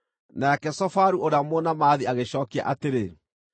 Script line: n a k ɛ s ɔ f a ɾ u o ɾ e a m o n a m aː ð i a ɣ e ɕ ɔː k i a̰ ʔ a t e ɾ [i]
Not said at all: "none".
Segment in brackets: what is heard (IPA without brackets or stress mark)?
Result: e